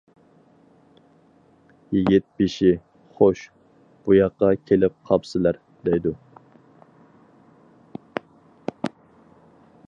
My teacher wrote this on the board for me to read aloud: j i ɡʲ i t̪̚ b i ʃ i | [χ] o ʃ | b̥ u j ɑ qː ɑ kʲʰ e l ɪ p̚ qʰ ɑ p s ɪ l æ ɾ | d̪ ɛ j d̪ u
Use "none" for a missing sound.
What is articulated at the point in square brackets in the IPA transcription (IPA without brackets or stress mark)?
χ